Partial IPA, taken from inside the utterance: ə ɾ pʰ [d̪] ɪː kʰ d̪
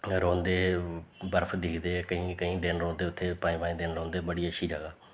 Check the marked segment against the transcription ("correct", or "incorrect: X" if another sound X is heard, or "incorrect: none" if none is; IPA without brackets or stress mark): correct